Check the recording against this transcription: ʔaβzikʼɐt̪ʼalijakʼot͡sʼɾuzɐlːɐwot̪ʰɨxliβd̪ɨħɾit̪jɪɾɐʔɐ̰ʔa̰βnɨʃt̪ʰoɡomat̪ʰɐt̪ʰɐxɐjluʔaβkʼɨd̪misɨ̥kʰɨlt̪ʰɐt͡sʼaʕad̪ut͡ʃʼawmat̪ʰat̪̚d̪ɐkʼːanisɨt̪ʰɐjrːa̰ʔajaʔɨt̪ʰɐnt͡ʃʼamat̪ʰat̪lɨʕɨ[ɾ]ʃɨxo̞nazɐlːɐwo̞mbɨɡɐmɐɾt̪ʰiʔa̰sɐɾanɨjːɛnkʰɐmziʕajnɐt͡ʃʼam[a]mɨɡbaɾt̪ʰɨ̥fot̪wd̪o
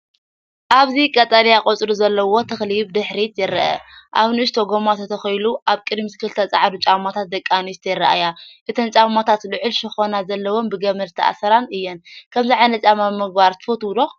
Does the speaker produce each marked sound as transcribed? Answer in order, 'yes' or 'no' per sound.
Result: no, yes

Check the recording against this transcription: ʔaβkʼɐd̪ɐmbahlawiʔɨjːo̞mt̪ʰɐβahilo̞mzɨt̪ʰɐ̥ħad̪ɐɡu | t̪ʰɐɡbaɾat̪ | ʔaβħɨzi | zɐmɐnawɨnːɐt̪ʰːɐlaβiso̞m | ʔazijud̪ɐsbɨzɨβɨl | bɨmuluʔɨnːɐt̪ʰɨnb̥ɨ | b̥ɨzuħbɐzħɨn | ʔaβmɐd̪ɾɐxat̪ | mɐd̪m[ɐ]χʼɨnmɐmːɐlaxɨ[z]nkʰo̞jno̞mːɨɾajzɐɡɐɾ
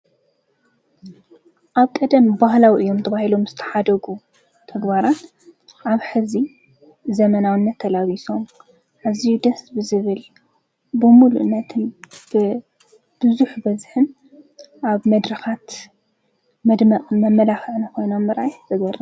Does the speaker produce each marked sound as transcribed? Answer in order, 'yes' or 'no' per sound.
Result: yes, no

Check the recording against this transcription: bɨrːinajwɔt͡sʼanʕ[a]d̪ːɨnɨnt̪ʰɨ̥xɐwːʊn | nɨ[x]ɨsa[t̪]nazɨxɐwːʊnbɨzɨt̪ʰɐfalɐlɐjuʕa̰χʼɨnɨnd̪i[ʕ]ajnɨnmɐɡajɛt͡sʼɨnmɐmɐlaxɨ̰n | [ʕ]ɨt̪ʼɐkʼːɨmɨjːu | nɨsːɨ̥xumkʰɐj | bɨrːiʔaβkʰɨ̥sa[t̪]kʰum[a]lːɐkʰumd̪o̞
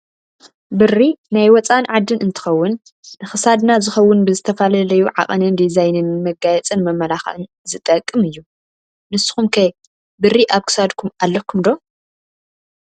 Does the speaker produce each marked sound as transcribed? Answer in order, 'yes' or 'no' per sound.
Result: yes, yes, no, no, no, no, yes

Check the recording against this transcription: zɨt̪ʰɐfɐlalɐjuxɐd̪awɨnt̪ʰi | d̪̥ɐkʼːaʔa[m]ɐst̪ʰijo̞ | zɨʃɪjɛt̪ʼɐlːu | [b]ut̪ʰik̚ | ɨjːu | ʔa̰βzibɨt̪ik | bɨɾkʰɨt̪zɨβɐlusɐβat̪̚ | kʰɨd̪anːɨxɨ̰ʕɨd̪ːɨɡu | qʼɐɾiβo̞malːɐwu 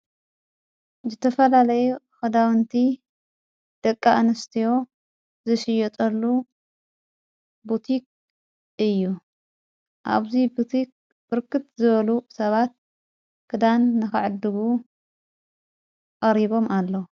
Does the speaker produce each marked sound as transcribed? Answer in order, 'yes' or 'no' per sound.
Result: no, yes

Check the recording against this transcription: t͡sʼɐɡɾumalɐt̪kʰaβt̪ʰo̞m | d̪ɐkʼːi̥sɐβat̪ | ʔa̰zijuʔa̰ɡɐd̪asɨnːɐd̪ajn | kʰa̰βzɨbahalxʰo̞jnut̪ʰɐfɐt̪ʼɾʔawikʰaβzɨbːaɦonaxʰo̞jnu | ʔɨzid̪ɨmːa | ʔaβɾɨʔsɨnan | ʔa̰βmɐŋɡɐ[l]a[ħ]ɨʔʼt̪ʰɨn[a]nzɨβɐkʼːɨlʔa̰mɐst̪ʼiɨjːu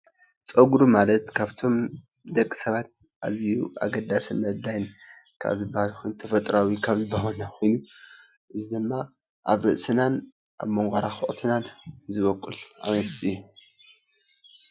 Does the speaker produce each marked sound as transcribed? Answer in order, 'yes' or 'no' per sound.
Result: no, no, yes

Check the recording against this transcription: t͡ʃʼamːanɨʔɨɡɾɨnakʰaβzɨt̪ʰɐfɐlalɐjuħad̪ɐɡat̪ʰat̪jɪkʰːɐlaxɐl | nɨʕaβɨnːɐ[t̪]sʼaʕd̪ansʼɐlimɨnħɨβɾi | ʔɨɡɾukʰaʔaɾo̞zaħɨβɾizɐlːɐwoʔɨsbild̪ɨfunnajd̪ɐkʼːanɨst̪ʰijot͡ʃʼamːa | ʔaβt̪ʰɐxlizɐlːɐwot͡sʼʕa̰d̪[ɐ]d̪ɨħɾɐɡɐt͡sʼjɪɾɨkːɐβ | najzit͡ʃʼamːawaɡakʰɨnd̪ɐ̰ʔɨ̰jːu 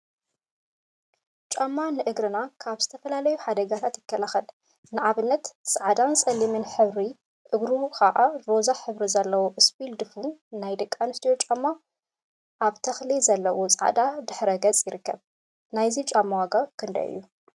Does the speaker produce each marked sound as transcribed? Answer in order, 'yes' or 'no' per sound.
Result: yes, no

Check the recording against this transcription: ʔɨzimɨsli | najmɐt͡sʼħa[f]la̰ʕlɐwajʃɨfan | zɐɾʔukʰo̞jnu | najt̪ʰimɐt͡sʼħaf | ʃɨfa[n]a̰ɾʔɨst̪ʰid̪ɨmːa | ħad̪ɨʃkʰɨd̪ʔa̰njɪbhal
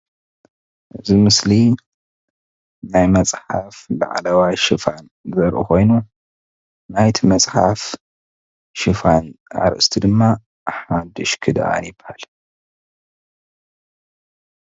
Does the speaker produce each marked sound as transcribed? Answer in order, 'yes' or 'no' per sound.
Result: yes, yes

